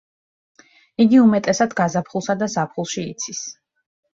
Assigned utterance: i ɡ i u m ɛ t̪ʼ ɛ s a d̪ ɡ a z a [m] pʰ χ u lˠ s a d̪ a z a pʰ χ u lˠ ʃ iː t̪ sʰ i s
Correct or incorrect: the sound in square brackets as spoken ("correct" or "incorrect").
incorrect